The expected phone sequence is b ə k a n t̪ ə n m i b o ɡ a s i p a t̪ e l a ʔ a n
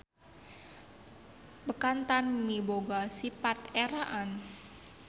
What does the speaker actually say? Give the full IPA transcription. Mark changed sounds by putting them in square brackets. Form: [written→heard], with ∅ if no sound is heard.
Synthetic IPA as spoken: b ə k a n t̪ [ə→a] n m i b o ɡ a s i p a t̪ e [l→ɾ] a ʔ a n